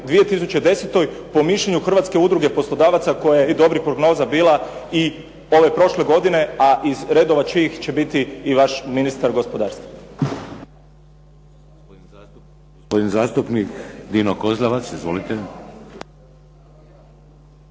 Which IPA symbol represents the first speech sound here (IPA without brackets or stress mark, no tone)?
d̪